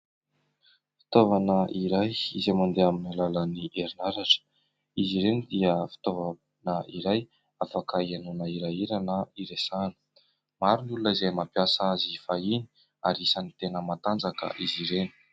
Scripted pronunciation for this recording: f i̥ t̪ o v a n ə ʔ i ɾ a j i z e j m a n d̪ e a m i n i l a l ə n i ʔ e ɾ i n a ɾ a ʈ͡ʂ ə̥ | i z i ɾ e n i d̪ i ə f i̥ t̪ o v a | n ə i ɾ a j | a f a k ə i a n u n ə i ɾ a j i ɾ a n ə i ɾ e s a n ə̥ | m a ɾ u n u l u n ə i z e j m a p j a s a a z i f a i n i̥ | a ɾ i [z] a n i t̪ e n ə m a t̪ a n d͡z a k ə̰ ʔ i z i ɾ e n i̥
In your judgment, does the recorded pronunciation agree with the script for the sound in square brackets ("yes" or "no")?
no